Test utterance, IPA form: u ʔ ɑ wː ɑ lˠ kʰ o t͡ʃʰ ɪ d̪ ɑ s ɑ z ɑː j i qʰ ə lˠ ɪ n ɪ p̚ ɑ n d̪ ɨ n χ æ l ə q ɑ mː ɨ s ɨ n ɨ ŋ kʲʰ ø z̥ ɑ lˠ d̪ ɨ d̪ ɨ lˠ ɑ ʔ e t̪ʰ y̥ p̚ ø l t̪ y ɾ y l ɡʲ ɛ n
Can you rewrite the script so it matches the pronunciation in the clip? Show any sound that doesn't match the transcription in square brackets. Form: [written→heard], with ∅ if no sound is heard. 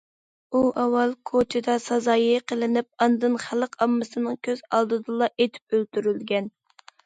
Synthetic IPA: u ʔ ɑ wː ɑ lˠ kʰ o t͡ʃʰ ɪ d̪ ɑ s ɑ z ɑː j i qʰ ə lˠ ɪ n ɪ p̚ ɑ n d̪ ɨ n χ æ l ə q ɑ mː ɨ s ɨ n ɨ ŋ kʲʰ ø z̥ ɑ lˠ d̪ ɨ d̪ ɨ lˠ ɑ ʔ e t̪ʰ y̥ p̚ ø l t̪ y ɾ y l ɡʲ ɛ n